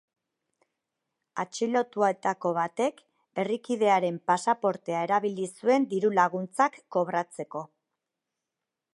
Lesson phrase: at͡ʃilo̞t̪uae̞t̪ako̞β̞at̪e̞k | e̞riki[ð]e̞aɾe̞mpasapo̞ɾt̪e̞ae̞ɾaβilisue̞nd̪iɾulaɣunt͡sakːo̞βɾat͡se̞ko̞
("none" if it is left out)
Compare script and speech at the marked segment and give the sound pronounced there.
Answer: ð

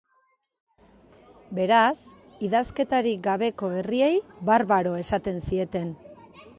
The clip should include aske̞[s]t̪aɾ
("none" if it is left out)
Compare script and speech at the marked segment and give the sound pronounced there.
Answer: none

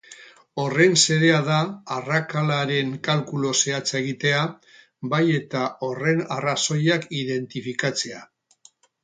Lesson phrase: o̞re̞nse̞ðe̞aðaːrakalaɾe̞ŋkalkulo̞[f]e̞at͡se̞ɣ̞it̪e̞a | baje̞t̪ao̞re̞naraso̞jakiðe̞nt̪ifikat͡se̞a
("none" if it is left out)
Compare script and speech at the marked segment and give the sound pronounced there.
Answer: s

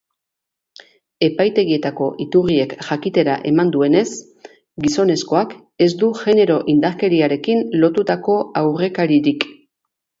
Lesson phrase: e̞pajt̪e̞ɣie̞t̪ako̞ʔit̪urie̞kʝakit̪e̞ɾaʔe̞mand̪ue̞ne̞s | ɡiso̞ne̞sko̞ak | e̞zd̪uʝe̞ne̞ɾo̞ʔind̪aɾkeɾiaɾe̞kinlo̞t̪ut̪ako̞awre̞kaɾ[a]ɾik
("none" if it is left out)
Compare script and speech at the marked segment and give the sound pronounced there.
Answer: i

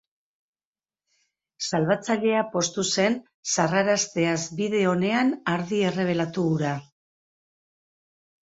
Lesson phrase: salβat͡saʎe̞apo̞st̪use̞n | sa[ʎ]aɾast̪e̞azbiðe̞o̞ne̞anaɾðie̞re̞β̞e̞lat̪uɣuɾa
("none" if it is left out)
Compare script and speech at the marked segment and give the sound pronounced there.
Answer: r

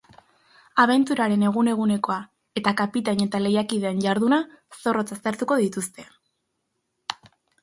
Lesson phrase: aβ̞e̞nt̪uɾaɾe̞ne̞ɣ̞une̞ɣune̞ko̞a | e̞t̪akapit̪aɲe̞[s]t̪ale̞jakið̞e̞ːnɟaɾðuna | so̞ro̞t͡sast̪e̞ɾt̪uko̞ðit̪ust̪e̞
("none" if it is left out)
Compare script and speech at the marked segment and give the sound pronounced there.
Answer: none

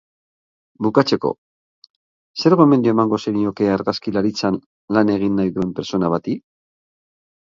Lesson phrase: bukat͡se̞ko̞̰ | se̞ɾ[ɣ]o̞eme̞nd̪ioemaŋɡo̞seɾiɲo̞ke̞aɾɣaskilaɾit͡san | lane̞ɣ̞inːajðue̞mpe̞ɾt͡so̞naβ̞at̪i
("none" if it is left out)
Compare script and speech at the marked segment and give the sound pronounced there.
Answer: ɣ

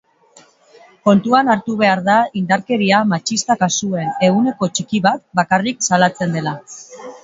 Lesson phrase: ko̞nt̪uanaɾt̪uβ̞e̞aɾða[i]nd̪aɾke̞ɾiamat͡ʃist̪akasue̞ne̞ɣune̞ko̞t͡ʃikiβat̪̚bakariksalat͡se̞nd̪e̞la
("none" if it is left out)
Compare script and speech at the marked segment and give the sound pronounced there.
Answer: i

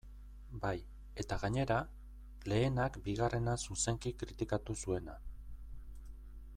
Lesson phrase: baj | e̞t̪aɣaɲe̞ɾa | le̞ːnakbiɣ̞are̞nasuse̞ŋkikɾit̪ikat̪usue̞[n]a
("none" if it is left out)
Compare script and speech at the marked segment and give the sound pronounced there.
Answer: n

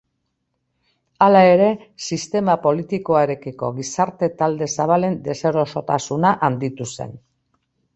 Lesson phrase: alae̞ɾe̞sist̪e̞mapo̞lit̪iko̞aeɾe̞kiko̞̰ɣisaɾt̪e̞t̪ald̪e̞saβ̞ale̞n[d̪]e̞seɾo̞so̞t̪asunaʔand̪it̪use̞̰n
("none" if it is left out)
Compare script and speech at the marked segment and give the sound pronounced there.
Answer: d̪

